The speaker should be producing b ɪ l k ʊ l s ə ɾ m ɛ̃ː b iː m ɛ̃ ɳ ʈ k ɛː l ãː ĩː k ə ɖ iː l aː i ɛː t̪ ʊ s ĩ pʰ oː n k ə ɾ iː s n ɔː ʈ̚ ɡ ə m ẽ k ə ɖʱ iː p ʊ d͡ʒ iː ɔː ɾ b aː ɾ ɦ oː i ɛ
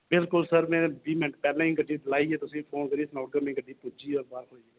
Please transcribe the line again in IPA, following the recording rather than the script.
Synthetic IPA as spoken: b ɪ l k ʊ l s ə ɾ m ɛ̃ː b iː m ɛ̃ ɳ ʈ p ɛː l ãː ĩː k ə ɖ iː l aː i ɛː t̪ ʊ s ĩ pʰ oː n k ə ɾ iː s n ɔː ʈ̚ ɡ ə m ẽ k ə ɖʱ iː p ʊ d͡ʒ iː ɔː ɾ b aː ɾ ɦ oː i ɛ